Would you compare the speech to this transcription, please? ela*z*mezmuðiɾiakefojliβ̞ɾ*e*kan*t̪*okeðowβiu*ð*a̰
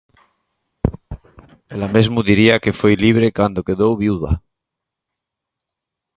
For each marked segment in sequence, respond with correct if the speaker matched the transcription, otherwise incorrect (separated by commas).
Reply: incorrect, correct, incorrect, correct